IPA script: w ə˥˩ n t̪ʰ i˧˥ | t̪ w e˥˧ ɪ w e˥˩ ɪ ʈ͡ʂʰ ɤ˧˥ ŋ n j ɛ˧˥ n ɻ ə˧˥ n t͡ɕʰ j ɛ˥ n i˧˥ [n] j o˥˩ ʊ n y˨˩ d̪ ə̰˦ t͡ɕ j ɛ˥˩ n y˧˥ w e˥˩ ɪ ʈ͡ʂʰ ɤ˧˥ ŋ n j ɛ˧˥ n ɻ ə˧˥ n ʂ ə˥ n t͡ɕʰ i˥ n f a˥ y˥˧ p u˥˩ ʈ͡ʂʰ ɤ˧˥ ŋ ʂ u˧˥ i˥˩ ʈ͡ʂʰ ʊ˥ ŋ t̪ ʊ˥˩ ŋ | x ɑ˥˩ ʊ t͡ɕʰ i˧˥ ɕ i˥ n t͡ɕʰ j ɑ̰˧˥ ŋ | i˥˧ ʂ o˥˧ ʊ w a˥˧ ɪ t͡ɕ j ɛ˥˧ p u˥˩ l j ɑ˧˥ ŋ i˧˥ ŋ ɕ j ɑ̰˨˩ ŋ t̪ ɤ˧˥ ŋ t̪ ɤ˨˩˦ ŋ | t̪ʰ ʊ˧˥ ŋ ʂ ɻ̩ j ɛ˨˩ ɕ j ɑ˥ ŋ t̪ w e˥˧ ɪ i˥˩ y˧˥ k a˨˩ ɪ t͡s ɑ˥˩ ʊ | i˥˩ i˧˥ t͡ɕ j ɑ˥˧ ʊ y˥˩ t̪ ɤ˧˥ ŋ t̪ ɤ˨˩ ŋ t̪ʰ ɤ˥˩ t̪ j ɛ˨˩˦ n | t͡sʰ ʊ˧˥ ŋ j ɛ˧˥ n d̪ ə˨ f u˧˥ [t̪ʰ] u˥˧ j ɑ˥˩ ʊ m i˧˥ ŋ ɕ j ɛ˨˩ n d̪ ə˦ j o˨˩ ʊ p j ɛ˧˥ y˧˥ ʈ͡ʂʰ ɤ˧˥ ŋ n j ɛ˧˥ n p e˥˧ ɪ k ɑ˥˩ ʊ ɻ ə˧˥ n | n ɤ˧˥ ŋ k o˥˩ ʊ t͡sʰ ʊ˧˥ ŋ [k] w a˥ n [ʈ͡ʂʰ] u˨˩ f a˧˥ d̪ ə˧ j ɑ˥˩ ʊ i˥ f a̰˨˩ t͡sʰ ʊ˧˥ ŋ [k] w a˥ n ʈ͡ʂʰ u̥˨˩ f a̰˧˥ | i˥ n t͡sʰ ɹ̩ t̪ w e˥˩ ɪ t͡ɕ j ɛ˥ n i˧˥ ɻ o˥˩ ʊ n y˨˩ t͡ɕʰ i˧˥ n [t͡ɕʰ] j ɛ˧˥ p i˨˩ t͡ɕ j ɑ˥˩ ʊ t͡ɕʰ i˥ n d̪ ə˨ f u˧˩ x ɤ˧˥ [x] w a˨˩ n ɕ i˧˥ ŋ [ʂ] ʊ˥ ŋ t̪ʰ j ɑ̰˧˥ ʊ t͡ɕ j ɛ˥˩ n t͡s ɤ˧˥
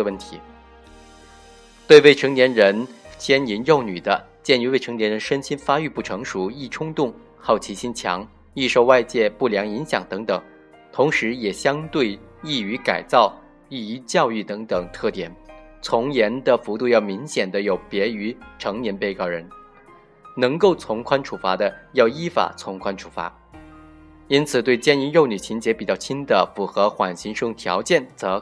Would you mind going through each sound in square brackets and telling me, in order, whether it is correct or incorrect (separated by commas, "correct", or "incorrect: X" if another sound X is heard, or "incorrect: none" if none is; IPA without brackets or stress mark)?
correct, incorrect: t̪, incorrect: kʰ, correct, incorrect: kʰ, incorrect: t͡ɕ, correct, correct